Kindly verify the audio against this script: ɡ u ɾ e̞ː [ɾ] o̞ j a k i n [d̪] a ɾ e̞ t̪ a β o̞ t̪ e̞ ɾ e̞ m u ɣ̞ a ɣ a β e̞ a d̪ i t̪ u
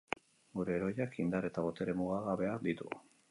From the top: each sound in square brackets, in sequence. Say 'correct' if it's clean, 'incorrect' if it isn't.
correct, correct

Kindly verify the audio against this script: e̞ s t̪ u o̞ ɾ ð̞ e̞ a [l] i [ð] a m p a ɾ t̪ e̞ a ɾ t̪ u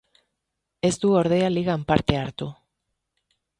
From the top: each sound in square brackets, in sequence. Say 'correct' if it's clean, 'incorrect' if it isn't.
correct, incorrect: ɣ

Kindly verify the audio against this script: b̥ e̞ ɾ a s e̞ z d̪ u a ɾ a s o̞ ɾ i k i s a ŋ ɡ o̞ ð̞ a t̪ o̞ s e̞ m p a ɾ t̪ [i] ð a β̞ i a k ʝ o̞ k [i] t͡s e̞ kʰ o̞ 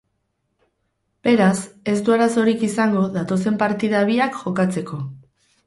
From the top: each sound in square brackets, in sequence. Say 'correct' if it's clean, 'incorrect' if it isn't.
correct, incorrect: a

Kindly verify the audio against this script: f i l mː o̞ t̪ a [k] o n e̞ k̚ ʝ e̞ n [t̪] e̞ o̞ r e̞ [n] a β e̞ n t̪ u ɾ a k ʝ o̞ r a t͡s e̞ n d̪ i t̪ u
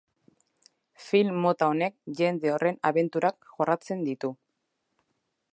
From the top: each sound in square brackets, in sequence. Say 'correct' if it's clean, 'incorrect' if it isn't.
incorrect: none, incorrect: d̪, correct

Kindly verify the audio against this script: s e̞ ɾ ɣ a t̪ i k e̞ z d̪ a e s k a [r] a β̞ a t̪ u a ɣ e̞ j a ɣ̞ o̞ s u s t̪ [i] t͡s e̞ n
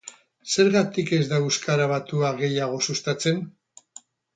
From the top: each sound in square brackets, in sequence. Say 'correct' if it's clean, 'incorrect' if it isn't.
incorrect: ɾ, incorrect: a

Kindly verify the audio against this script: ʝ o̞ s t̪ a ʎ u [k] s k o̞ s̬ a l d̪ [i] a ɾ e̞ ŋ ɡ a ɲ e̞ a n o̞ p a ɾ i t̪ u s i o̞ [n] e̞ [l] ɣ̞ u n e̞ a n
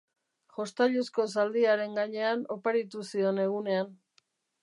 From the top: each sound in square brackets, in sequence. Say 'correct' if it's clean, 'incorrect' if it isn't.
incorrect: none, correct, correct, incorrect: none

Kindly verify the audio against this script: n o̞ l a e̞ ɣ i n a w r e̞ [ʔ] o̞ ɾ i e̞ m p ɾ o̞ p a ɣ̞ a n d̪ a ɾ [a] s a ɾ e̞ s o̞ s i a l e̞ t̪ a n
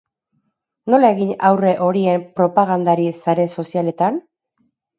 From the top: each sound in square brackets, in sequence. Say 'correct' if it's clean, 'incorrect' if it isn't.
correct, incorrect: i

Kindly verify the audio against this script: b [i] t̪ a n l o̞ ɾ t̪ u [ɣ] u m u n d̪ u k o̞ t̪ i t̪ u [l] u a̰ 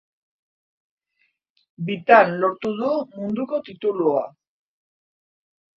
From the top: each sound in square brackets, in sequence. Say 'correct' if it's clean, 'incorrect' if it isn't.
correct, incorrect: ð, correct

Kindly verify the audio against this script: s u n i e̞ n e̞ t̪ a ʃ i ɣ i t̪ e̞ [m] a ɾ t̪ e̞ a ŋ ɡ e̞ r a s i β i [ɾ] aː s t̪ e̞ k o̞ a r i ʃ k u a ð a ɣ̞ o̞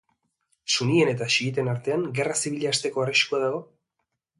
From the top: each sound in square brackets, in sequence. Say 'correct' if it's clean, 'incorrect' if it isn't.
incorrect: n, incorrect: ʎ

